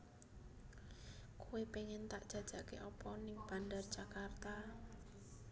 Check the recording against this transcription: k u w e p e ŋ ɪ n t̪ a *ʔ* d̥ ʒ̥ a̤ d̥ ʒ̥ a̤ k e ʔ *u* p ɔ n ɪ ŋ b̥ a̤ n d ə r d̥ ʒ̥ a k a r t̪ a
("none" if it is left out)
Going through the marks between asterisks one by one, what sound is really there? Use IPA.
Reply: ʔ, ɔ

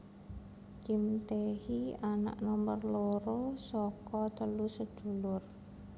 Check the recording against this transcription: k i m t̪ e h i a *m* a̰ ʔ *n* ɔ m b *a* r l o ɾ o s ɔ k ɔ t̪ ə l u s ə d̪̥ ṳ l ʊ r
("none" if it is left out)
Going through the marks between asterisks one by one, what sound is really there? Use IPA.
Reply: n, n, ə

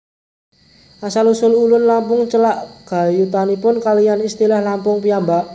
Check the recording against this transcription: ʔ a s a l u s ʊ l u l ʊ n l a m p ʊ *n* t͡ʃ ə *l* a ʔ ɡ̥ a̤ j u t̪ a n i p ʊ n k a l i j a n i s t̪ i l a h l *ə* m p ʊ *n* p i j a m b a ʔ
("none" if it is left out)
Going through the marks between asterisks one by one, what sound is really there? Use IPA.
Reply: ŋ, l, a, ŋ

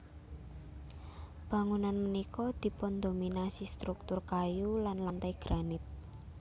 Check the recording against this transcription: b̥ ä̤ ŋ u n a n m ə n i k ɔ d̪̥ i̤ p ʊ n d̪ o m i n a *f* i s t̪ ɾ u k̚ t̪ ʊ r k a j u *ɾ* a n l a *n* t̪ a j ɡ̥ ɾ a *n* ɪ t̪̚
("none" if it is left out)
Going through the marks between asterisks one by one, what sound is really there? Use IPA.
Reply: s, l, n, n

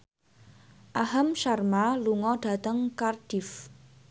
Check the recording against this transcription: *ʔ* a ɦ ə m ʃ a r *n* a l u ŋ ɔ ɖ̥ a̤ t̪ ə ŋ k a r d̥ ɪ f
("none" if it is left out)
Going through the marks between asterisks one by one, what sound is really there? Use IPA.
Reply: ʔ, m

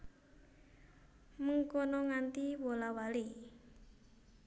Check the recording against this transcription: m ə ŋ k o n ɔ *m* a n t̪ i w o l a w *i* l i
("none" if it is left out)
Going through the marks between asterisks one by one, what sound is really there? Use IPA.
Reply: ŋ, a

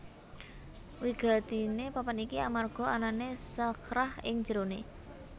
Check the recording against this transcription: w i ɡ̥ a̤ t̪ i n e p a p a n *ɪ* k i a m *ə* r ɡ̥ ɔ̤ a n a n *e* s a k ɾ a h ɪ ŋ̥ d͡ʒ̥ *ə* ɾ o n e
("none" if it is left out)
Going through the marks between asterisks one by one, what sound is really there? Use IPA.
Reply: i, a, e, ə

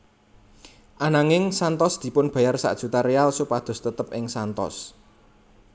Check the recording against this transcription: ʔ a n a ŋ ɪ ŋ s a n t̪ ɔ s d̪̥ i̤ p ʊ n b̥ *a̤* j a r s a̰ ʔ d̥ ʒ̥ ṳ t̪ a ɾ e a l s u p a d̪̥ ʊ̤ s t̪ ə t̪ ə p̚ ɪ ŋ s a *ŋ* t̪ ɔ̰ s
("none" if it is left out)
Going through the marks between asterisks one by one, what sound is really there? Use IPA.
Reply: a̤, n

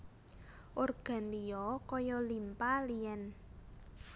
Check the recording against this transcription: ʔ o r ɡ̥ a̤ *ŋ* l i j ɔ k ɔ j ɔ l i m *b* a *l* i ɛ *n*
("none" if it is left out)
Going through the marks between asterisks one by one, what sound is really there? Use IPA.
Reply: n, p, l, n

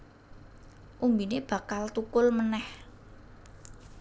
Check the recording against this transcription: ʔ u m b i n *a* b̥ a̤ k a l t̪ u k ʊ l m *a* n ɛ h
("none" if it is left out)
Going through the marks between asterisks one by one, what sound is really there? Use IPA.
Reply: e, ə

